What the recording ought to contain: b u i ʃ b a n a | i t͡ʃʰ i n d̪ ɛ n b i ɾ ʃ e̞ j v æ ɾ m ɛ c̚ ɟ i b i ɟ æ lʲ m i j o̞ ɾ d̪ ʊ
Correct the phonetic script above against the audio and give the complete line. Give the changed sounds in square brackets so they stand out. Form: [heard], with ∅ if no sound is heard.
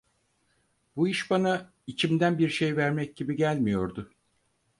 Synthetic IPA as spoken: b u i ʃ b a n a | i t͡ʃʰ i [m] d̪ [æ] n b i ɾ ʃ e̞ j v æ ɾ m ɛ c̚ ɟ i b i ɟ æ lʲ m i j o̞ ɾ d̪ ʊ